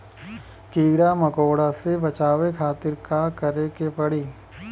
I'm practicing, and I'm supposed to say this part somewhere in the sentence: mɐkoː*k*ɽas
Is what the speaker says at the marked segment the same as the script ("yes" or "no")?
no